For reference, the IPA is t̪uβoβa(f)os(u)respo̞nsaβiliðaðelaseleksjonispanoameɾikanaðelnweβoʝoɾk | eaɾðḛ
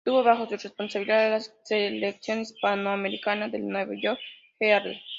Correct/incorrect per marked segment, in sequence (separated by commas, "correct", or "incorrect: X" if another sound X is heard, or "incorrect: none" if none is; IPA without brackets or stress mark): incorrect: x, correct